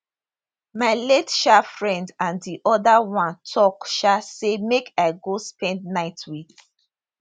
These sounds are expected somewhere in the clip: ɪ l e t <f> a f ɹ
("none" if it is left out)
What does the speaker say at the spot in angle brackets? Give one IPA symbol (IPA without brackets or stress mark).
ʃ